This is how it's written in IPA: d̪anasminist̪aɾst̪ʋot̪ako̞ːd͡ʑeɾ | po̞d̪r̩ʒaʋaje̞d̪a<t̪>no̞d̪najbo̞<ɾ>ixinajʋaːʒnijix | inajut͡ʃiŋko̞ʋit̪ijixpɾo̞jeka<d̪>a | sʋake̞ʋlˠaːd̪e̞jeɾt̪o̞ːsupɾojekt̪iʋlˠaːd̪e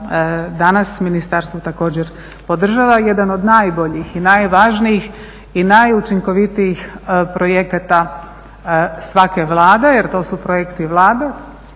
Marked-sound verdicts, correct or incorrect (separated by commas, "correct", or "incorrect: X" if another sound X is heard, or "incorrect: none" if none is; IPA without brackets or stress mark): incorrect: none, incorrect: ʎ, incorrect: t̪